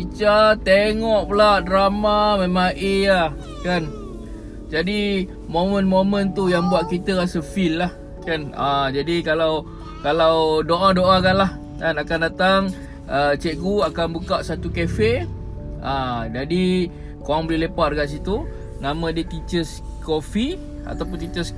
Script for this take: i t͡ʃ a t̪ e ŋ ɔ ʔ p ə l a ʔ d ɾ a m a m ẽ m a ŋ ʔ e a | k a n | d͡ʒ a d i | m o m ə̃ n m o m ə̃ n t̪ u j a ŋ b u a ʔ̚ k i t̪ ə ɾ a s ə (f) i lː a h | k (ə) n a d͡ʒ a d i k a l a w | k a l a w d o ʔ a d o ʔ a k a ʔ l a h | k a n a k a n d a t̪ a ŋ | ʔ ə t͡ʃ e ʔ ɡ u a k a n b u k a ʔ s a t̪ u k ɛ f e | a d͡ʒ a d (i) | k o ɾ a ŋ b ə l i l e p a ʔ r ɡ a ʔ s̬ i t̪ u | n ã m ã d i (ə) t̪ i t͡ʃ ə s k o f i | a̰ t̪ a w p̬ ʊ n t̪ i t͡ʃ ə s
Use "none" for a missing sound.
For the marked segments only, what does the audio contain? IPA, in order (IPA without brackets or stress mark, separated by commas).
f, a, i, ə